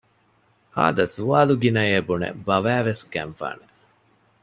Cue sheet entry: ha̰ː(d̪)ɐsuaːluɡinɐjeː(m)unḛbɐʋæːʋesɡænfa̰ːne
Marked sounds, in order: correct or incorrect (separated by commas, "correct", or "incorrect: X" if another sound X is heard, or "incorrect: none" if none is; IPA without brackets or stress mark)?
correct, incorrect: b